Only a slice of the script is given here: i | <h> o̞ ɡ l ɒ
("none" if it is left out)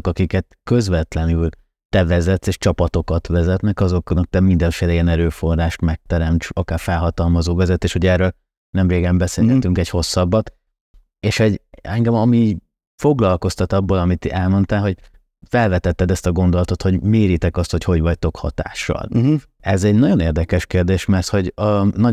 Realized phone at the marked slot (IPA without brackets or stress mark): f